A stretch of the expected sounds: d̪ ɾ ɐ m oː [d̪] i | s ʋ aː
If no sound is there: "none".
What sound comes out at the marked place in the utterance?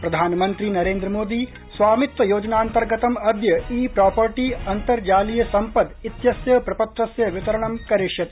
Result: d̪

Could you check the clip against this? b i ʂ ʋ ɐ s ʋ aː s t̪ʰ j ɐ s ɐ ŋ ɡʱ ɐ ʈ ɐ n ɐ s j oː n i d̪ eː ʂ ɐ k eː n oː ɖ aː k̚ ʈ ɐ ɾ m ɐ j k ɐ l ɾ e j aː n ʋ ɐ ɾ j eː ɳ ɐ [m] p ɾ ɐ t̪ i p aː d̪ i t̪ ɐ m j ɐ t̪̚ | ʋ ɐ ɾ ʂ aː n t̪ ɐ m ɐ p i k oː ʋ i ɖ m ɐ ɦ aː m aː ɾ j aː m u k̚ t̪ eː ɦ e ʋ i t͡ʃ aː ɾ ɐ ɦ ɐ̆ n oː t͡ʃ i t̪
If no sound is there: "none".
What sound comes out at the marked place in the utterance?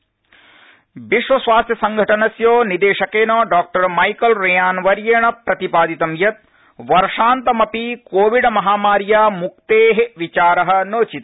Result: none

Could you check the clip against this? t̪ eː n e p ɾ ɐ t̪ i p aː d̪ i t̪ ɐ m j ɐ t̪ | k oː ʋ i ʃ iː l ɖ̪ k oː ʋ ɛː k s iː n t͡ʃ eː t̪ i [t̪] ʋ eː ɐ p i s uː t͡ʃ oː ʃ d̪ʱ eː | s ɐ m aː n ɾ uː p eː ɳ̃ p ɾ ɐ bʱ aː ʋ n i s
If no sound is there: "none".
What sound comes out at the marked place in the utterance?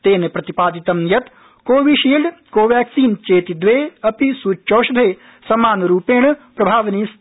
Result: d̪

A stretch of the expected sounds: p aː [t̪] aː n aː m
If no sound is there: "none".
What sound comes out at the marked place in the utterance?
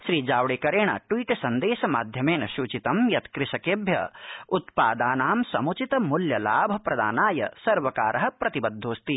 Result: d̪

